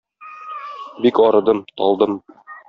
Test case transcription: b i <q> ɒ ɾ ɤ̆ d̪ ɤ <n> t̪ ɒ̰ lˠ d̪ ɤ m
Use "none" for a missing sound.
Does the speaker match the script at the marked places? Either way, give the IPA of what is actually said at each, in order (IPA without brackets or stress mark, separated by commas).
k, m